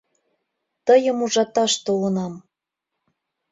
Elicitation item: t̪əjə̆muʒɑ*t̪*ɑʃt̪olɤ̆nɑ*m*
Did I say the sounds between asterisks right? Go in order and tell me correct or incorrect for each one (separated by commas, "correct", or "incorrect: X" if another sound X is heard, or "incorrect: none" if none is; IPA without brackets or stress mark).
correct, correct